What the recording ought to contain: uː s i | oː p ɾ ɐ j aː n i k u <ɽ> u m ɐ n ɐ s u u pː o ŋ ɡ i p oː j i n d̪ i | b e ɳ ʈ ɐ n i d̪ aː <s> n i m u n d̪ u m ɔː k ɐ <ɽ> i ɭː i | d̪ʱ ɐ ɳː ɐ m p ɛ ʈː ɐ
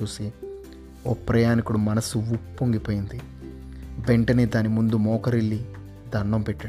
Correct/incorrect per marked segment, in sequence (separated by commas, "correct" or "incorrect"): correct, incorrect, incorrect